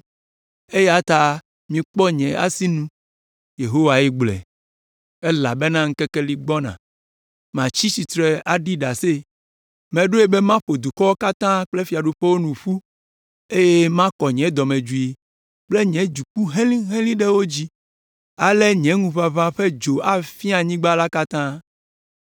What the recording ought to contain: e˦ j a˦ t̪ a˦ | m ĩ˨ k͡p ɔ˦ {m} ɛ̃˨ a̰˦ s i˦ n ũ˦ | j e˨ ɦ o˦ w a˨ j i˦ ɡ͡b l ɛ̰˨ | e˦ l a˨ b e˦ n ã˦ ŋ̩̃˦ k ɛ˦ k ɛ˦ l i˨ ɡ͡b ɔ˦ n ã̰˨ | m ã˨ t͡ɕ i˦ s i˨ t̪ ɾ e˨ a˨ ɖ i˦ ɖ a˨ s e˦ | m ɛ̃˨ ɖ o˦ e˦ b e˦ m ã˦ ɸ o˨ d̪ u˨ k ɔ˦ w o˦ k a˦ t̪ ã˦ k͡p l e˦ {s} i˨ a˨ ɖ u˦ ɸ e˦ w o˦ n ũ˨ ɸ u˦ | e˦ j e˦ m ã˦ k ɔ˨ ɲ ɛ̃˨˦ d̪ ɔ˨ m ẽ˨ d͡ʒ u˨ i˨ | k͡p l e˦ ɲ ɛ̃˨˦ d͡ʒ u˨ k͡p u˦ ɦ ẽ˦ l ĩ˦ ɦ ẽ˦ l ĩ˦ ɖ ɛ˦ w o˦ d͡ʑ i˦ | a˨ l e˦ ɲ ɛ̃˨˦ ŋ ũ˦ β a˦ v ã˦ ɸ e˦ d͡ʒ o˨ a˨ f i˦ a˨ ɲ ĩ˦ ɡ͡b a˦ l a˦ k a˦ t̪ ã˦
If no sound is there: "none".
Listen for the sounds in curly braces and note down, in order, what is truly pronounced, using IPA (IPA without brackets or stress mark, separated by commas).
ɲ, f